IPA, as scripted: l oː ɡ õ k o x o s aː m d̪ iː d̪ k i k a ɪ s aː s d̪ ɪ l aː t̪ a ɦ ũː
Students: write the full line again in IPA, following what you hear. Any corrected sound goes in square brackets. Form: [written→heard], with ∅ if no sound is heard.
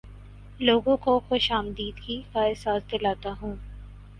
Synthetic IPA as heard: l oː ɡ õ k o x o [s→ʃ] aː m d̪ iː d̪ k i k a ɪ s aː s d̪ ɪ l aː t̪ a ɦ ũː